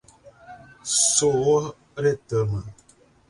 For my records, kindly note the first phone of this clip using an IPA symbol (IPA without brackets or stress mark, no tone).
s